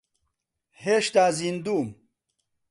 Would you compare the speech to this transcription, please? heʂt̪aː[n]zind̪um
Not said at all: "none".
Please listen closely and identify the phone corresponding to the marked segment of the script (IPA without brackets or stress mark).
none